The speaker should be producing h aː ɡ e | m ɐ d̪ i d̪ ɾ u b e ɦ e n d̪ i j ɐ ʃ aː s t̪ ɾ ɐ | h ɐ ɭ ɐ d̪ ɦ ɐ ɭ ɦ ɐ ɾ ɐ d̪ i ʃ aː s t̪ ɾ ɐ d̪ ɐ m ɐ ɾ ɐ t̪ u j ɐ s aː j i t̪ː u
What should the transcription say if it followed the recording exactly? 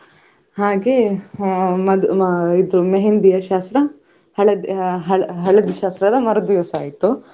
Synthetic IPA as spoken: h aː ɡ e | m ɐ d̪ i d̪ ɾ u m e ɦ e n d̪ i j ɐ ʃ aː s t̪ ɾ ɐ | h ɐ ɭ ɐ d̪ ɦ ɐ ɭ ɦ ɐ ɭ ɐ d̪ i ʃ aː s t̪ ɾ ɐ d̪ ɐ m ɐ ɾ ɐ d̪ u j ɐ s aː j i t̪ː u